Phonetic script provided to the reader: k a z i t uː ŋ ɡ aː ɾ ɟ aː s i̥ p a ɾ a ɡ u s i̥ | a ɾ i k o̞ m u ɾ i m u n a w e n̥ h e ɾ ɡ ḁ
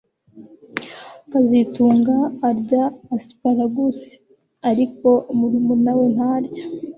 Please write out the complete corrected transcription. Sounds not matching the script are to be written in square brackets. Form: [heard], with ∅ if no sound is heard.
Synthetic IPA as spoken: k a z i t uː ŋ ɡ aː ɾ ɟ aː s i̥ p a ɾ a ɡ u s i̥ | a ɾ i k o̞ m u ɾ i m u n a w e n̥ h [a] ɾ [ɟ] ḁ